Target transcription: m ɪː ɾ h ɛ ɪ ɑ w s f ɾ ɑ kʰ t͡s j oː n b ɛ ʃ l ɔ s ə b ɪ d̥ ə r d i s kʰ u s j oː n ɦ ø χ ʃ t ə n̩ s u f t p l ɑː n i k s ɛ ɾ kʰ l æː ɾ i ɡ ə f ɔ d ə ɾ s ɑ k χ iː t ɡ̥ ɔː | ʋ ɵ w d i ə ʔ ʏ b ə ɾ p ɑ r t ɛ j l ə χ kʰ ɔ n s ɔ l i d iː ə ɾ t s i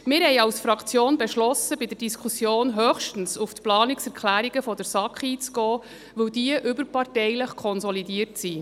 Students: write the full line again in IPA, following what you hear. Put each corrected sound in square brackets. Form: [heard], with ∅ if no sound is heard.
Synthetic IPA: m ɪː ɾ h ɛ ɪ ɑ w s f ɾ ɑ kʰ t͡s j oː n b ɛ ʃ l ɔ s ə b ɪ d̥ ə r d i s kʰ u s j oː n ɦ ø χ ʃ t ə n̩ s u f t p l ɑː n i k s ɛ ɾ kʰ l æː ɾ i ɡ ə f ɔ d ə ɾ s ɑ k χ iː [t͡s] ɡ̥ ɔː | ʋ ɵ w d i ə ʔ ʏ b ə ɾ p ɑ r t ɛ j l ə χ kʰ ɔ n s ɔ l i d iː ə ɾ t s i